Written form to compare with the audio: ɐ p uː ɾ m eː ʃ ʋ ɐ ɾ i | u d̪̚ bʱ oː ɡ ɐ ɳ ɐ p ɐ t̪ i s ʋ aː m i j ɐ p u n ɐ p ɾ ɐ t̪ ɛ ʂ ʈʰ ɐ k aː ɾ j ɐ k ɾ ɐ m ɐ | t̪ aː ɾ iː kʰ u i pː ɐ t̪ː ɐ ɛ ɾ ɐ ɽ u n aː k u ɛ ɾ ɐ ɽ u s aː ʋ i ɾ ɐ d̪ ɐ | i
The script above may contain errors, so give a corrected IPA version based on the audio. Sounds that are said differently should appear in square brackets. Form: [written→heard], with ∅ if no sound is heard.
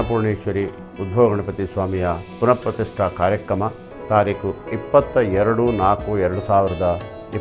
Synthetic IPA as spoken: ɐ p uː ɾ [m→ɳ] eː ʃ ʋ ɐ ɾ i | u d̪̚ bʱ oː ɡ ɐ ɳ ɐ p ɐ t̪ i s ʋ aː m i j ɐ p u n ɐ p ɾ ɐ t̪ [ɛ→i] ʂ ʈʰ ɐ k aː ɾ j ɐ k ɾ ɐ m ɐ | t̪ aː ɾ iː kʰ u i pː ɐ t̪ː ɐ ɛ ɾ ɐ ɽ u n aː k u ɛ ɾ ɐ ɽ u s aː ʋ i ɾ ɐ d̪ ɐ | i